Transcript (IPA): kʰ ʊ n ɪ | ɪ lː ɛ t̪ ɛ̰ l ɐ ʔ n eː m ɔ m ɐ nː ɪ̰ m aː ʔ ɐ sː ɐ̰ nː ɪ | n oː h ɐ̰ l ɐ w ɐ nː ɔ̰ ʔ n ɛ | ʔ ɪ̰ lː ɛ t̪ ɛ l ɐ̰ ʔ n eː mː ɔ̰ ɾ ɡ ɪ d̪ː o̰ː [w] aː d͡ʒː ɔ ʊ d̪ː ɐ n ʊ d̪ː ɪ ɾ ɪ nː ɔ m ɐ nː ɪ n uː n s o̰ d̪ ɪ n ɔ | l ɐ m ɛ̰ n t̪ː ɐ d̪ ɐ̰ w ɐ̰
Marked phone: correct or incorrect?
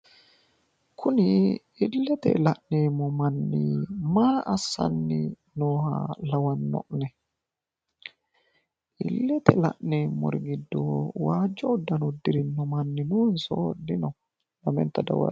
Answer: correct